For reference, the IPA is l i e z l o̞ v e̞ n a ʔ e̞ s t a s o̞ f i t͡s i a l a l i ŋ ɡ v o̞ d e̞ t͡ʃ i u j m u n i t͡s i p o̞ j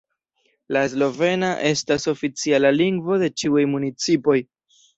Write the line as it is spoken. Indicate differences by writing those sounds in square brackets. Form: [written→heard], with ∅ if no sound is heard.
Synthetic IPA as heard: l [i→a] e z l o̞ v e̞ n a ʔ e̞ s t a s o̞ f i t͡s i a l a l i ŋ ɡ v o̞ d e̞ t͡ʃ i u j m u n i t͡s i p o̞ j